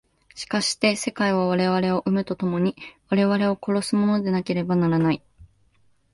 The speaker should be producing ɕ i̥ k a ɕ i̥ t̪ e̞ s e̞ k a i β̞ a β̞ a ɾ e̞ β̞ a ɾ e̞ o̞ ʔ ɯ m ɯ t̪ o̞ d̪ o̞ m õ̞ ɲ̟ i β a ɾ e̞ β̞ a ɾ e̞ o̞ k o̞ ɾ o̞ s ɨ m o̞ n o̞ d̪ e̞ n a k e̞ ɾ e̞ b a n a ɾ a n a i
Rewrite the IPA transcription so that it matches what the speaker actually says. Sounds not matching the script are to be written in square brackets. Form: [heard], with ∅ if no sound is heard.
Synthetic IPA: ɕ i̥ k a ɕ i̥ t̪ e̞ s e̞ k a i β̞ a β̞ a ɾ e̞ β̞ a ɾ e̞ o̞ ʔ ɯ m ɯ t̪ o̞ [t̪] o̞ m [o̞] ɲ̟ i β a ɾ e̞ β̞ a ɾ e̞ o̞ k o̞ ɾ o̞ s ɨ m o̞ n o̞ d̪ e̞ n a k e̞ ɾ e̞ b a n a ɾ a n a i